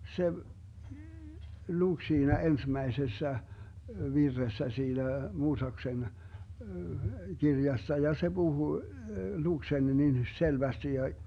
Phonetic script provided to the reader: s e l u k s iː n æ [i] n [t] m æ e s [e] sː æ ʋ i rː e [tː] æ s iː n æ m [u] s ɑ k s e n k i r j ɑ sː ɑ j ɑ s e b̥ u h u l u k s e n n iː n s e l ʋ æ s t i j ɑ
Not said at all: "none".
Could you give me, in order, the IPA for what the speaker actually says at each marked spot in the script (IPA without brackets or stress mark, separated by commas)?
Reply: e, s, e, sː, uː